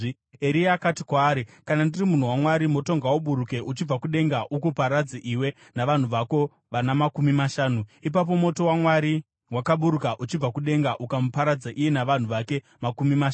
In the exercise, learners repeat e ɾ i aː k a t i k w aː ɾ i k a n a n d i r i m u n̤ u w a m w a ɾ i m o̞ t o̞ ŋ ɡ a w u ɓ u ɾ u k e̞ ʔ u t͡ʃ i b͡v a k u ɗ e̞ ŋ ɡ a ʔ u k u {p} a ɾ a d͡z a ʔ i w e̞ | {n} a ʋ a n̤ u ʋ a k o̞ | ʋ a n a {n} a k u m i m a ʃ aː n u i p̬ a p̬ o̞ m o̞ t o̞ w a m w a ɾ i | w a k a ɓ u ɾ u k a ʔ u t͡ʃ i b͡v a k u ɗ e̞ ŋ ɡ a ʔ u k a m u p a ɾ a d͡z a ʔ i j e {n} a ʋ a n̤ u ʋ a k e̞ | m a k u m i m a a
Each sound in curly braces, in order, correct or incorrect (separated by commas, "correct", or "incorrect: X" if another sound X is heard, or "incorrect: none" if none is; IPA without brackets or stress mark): correct, correct, incorrect: m, correct